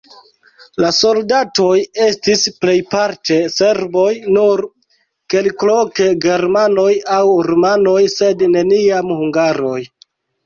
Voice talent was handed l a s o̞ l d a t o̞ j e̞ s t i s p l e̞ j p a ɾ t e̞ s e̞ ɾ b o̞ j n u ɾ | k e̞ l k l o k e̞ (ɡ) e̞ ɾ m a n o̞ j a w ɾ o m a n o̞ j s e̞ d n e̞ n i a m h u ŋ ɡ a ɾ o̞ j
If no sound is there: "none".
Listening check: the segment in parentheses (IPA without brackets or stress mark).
ɡ